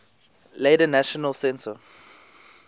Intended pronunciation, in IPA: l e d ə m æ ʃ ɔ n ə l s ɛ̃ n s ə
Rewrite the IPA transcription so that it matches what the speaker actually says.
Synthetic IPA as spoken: l e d ə n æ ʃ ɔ n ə l s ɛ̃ n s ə